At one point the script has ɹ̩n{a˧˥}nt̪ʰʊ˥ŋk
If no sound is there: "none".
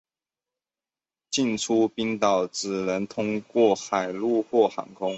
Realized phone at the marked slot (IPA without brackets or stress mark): ə˧˥